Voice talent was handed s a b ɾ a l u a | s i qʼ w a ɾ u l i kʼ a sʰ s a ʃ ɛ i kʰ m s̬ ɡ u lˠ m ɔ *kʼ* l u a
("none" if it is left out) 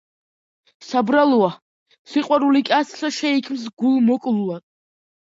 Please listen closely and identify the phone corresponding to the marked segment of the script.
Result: kʼ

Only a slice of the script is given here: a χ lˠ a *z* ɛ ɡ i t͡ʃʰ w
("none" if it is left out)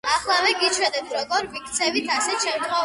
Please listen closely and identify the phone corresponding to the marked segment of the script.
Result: v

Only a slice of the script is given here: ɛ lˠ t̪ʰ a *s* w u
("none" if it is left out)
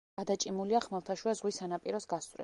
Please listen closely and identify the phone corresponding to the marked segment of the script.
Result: ʃ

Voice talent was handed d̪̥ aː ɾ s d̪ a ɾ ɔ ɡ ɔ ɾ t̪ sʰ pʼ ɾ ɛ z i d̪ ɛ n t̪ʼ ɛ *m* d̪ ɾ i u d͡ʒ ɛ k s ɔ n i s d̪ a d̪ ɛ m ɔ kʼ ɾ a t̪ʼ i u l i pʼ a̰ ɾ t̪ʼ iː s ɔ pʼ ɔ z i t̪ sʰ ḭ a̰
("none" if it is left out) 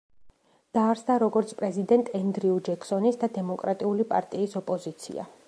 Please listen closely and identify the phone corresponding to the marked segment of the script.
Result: n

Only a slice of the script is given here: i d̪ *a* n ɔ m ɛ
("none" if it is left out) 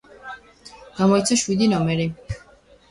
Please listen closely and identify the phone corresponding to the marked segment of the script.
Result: i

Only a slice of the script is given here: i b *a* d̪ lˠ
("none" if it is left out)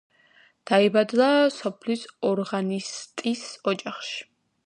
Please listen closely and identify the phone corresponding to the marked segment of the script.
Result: a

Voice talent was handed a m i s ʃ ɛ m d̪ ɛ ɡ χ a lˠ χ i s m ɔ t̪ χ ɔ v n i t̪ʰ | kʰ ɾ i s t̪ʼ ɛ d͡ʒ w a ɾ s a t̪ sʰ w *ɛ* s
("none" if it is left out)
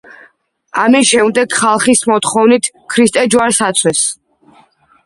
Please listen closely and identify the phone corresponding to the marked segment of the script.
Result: ɛ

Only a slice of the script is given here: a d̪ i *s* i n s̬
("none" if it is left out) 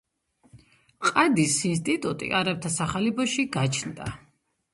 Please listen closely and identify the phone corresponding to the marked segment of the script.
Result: s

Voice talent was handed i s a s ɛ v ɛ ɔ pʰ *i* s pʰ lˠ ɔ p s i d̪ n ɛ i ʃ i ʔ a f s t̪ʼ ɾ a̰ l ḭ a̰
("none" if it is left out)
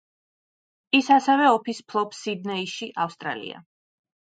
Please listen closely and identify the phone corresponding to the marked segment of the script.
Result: i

